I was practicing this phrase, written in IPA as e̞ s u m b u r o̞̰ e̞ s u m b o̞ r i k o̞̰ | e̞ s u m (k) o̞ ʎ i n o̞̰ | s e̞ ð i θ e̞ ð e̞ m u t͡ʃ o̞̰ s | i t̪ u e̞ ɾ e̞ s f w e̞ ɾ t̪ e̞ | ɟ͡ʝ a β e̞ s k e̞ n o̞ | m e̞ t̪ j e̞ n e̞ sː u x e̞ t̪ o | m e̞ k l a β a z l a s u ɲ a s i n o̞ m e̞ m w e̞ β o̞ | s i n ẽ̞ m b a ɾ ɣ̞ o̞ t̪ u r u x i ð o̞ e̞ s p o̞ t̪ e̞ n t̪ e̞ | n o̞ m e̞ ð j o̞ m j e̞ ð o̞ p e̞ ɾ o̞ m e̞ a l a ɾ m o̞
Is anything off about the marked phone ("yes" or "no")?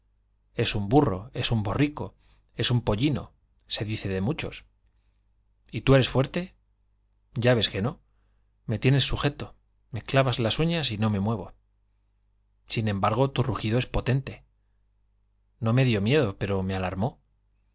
yes